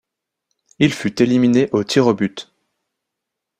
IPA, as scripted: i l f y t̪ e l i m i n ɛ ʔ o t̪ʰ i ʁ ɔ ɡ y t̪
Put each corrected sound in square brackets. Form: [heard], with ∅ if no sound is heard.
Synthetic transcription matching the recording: i l f y t̪ e l i m i n [e] ʔ o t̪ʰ i ʁ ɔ [b] y t̪